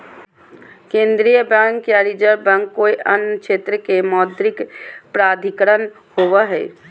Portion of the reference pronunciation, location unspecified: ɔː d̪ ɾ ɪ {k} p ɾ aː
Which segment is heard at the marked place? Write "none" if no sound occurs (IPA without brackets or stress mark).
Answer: k